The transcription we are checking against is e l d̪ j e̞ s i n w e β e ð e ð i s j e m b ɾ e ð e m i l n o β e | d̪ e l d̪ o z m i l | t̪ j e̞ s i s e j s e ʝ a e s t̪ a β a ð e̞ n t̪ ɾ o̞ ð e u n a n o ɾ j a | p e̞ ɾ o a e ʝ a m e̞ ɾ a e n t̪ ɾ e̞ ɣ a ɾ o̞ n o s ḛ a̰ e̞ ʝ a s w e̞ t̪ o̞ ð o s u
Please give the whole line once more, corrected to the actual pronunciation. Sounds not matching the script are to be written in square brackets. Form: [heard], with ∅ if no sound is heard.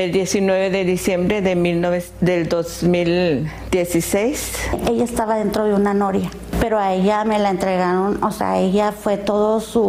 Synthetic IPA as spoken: e l d̪ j e̞ s i n w e β e ð e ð i s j e m b ɾ e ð e m i l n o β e | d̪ e l d̪ o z m i l | [d̪] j e̞ s i s e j s e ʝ a e s t̪ a β a ð e̞ n t̪ ɾ o̞ ð e u n a n o ɾ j a | p e̞ ɾ o a e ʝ a m e̞ [l] a e n t̪ ɾ e̞ ɣ a ɾ o̞ n o s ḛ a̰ e̞ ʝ a [f] w e̞ t̪ o̞ ð o s u